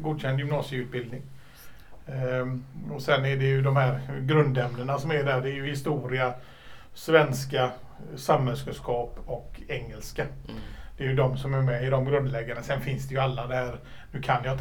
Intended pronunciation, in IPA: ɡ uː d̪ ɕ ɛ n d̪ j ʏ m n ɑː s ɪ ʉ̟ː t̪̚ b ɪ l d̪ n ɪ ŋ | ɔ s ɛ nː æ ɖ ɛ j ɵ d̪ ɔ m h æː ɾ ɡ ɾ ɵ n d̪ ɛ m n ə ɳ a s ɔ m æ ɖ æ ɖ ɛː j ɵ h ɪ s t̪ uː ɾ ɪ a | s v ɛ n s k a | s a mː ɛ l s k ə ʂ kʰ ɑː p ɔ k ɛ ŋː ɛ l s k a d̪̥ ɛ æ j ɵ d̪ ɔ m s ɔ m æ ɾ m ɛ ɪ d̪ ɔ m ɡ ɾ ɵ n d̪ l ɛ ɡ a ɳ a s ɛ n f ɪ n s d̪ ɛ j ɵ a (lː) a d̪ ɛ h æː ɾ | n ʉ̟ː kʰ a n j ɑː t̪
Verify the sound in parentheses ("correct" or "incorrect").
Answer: correct